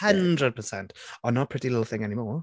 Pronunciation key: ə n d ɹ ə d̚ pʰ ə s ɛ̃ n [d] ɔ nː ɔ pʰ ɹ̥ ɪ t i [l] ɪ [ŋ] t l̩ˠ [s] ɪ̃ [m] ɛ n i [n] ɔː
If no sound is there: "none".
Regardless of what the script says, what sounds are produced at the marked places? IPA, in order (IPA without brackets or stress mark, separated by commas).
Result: t, l, none, θ, ŋ, m